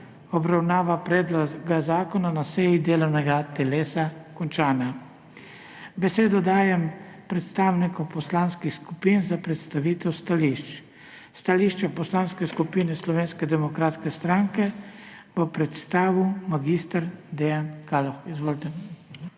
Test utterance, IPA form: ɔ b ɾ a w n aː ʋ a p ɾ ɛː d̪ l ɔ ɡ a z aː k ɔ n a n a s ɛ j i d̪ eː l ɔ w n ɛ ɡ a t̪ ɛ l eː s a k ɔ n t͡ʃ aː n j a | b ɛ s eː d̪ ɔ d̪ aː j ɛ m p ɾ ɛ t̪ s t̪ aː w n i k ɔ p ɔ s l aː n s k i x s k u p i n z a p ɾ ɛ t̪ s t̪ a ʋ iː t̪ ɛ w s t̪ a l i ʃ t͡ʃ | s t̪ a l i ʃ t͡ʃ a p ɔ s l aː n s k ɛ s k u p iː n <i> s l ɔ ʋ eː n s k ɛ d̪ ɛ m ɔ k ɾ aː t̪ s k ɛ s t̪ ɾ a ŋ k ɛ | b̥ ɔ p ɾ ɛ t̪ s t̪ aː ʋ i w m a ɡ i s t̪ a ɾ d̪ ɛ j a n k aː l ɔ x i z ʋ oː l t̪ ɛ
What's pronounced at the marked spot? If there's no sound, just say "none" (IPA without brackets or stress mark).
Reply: ɛ